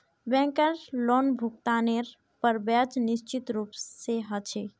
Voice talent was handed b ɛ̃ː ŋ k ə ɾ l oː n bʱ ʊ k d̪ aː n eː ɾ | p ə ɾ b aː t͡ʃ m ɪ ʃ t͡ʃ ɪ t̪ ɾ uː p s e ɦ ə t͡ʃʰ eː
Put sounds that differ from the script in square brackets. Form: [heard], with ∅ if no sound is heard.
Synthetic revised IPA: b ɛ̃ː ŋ k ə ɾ l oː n bʱ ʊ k [t̪] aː n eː ɾ | p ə ɾ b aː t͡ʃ [n] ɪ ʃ t͡ʃ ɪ t̪ ɾ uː p s e ɦ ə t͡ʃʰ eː